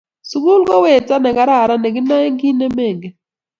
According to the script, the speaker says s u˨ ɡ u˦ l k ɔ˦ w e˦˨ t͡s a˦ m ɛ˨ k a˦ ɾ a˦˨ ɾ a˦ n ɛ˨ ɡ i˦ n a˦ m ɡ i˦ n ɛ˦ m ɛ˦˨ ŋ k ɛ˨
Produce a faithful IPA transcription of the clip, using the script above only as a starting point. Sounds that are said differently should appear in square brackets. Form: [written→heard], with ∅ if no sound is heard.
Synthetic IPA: s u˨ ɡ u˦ l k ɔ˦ w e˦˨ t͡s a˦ [m→n] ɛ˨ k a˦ ɾ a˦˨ ɾ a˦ n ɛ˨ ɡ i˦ n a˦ [m→ŋ] ɡ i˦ n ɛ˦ m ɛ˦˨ ŋ [k→ɡ] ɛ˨